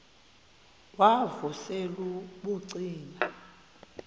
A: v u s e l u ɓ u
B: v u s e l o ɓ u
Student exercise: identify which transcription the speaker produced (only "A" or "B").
A